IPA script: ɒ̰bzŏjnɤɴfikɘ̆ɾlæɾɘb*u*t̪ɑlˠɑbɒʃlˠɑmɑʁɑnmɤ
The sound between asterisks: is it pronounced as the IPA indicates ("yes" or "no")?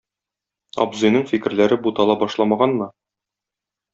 yes